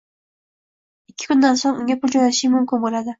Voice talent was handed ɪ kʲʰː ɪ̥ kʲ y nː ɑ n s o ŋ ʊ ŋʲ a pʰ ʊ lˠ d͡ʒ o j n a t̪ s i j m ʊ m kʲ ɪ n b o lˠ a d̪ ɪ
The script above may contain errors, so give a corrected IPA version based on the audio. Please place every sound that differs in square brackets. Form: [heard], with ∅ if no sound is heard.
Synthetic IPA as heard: ɪ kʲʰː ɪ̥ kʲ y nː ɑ n s o ŋ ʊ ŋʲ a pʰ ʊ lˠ d͡ʒ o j n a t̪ [ʃ] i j m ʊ m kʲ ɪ n b o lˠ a d̪ ɪ